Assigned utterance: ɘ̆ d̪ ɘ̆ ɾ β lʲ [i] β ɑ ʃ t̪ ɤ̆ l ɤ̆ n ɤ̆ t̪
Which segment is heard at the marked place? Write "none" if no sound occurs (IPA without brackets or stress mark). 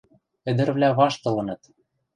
æ